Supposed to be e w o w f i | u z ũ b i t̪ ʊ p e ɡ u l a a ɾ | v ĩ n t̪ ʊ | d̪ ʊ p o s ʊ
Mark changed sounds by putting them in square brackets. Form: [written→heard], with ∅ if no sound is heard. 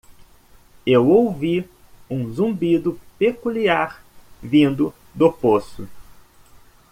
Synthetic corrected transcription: e w o w [f→v] i | [u→ũ] z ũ b i [t̪→d̪] ʊ p e [ɡ→k] u l [a→i] a ɾ | v ĩ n [t̪→d̪] ʊ | d̪ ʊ p o s ʊ